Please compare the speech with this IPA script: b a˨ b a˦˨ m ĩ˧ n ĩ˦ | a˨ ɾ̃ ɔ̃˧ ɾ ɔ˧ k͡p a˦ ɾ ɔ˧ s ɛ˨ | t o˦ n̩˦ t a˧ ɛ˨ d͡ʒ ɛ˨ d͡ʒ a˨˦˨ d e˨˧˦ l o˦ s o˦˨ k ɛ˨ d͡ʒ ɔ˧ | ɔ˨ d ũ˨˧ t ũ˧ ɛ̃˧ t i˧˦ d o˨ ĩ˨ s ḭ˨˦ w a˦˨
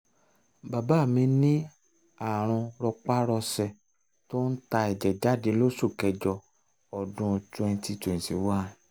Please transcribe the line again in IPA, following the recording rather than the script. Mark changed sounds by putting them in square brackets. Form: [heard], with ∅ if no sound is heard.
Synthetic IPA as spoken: b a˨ b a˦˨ m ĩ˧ n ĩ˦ | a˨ ɾ̃ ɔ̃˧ ɾ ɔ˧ k͡p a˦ ɾ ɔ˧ s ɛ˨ | t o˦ n̩˦ t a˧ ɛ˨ d͡ʒ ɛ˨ d͡ʒ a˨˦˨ d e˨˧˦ l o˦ s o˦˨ k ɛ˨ d͡ʒ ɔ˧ | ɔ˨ d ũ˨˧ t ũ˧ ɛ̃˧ t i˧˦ [t] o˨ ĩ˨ s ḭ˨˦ w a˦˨